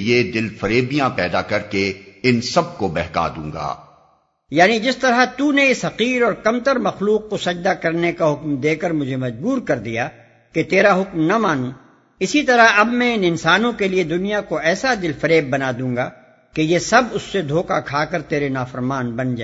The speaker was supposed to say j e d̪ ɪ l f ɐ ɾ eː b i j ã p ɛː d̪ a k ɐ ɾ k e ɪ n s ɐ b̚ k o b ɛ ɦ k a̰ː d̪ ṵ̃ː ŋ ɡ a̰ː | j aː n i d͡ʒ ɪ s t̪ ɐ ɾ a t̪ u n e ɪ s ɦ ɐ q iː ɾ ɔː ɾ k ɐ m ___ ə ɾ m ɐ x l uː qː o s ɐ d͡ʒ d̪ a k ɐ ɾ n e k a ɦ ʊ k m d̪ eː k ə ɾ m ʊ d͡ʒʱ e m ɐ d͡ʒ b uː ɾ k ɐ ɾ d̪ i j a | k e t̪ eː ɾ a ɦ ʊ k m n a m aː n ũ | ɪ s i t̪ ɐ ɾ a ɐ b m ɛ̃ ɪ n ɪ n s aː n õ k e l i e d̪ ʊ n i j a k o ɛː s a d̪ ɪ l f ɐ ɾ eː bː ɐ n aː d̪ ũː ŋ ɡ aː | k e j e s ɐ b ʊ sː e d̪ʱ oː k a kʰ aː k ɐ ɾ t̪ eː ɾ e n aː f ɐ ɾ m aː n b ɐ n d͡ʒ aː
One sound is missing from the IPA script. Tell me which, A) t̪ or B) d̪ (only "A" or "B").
A